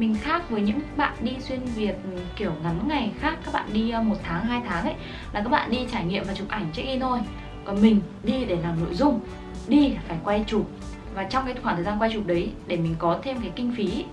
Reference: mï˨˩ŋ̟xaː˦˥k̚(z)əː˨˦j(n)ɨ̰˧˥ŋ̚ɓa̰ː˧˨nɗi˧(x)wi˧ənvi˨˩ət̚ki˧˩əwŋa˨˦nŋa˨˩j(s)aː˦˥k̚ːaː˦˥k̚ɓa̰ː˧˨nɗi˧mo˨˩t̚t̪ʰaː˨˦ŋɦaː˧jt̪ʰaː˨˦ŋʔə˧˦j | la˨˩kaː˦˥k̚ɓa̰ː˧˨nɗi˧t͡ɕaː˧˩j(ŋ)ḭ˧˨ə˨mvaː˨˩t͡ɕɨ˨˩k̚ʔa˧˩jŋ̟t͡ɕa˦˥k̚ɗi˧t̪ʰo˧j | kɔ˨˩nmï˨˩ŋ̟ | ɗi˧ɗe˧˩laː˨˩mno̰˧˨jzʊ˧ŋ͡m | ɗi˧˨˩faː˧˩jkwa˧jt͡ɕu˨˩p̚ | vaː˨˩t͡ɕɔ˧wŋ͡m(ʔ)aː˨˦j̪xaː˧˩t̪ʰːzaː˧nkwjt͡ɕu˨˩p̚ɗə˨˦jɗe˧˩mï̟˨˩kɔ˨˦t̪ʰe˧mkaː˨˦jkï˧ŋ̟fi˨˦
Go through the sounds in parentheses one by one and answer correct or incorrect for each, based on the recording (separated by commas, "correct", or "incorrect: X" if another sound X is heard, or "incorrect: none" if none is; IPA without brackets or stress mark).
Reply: incorrect: v, incorrect: ɲ, incorrect: s, incorrect: x, correct, incorrect: k